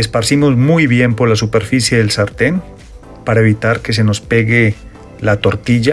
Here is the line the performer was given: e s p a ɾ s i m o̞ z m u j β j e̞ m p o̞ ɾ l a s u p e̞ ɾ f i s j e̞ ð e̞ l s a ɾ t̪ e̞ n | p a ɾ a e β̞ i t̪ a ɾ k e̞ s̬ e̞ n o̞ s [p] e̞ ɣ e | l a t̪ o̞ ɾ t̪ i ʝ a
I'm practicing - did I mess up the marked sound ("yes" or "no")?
no